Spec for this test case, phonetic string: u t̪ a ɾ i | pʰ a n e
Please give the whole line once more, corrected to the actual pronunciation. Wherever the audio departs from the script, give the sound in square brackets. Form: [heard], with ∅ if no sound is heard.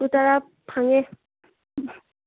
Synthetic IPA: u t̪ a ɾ [a] | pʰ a [ŋ] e